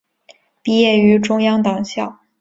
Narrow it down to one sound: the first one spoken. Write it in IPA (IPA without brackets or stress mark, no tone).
p